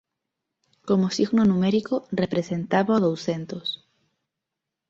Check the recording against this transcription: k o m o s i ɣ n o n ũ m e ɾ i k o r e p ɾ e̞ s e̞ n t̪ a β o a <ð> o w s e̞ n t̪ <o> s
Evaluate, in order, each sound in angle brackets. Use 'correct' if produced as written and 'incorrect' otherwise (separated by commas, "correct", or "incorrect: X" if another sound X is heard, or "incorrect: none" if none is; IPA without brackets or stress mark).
correct, correct